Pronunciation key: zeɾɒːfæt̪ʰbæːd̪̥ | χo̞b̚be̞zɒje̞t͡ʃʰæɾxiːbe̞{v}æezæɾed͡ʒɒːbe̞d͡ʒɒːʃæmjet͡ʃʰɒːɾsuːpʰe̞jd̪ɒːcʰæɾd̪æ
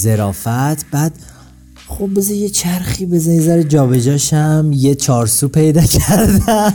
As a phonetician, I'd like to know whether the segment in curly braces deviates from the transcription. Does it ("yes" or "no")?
yes